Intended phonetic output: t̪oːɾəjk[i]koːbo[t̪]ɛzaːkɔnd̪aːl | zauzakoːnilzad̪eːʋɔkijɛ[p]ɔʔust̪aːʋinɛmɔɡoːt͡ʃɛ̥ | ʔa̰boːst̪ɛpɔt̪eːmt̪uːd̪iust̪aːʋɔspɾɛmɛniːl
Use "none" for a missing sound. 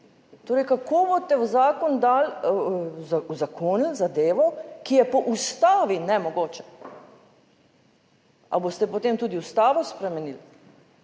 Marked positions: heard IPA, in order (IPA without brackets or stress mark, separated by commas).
a, t̪, p